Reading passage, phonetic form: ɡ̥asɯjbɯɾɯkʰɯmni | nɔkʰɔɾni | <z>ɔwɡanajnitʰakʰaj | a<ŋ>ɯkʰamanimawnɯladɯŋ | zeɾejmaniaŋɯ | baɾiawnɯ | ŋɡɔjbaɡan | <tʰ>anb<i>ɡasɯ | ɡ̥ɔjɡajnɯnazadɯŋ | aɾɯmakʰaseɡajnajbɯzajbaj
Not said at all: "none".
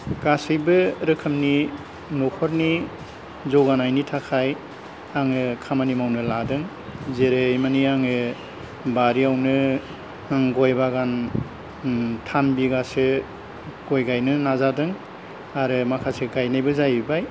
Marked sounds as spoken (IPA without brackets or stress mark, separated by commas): z, ŋ, tʰ, i